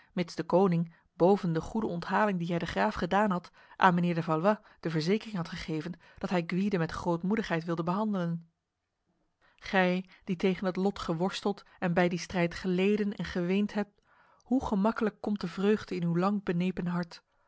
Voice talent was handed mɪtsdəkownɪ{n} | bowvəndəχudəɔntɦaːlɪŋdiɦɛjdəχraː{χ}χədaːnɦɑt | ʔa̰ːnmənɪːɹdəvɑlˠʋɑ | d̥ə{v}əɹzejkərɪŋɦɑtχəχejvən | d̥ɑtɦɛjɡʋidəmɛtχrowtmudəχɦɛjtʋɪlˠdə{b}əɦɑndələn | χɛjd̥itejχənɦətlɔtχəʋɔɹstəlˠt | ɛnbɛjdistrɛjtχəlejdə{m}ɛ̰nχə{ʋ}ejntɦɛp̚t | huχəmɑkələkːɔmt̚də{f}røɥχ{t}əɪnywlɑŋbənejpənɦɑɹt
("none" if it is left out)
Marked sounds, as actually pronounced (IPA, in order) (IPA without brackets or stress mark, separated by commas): ŋ, f, v, b, n, ʋ, v, d